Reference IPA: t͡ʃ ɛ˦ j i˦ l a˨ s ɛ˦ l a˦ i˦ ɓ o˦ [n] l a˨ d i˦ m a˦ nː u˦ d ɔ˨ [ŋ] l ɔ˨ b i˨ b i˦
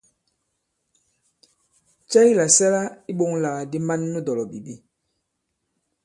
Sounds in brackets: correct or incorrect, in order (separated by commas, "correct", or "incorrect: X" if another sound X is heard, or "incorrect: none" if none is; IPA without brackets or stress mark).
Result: incorrect: ŋ, incorrect: none